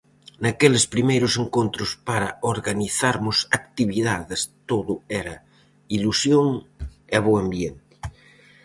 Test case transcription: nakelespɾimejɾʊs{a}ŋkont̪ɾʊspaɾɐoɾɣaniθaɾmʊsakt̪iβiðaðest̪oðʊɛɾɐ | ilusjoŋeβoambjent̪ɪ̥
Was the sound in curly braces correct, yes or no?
no